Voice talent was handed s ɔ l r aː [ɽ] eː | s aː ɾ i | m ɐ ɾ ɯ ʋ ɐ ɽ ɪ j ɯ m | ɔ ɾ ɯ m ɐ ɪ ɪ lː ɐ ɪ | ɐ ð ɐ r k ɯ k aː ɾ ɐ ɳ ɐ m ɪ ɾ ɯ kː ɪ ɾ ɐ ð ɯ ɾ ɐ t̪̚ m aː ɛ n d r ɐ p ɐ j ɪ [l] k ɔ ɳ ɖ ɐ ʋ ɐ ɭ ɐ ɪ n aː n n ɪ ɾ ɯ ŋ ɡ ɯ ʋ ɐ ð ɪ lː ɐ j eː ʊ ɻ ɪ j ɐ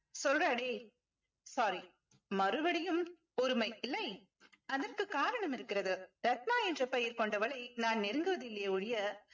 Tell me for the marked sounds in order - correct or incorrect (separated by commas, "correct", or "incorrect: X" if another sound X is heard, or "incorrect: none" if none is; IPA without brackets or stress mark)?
correct, incorrect: ɾ